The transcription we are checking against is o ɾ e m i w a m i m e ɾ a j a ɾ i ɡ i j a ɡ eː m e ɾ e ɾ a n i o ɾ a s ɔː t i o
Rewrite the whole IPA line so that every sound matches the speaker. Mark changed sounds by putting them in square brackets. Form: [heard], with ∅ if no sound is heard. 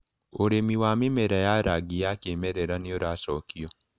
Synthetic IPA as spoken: o ɾ e m i w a m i m e ɾ a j a ɾ [a] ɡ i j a [k] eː m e ɾ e ɾ a n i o ɾ a s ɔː [k] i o